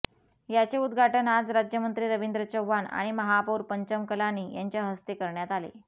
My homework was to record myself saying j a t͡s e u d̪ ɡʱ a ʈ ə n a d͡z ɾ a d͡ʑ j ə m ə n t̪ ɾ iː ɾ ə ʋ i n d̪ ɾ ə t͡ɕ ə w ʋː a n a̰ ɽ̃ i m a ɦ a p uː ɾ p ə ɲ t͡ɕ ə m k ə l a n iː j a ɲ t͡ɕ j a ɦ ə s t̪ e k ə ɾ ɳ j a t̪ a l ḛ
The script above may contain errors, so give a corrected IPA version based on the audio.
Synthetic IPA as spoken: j a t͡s e u d̪ ɡʱ a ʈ ə n a d͡z ɾ a d͡ʑ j ə m ə n t̪ ɾ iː ɾ ə ʋ i n d̪ ɾ ə t͡ɕ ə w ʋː a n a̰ ɽ̃ i m ə ɦ a p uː ɾ p ə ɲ t͡ɕ ə m k ə l a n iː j a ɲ t͡ɕ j a ɦ ə s t̪ e k ə ɾ ɳ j a t̪ a l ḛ